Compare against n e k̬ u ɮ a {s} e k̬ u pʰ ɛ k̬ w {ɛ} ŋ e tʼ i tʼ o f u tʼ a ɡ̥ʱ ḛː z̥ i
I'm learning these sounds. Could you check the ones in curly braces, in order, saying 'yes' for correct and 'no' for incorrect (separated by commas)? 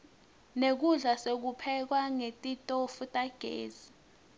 yes, no